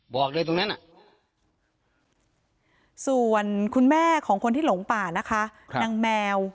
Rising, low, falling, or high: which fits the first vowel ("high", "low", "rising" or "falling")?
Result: low